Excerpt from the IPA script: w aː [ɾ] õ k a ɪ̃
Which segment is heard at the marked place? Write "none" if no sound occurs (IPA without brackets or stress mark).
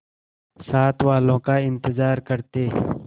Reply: l